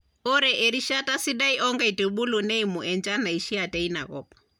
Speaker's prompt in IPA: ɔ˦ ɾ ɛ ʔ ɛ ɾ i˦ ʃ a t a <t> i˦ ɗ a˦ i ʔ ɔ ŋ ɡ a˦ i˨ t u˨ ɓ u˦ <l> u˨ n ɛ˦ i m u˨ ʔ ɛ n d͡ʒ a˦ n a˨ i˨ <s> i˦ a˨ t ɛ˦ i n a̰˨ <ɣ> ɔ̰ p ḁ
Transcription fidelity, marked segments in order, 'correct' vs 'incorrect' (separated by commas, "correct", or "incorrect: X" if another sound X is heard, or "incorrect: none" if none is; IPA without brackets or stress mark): incorrect: s, correct, incorrect: ʃ, correct